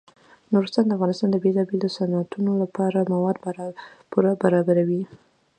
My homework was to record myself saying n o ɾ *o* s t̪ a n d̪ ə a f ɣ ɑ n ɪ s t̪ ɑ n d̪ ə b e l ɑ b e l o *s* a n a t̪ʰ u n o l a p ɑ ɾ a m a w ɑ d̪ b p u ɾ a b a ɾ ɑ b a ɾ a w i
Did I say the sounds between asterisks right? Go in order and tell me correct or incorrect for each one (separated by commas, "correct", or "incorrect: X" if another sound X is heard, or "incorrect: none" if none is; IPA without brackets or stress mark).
incorrect: u, correct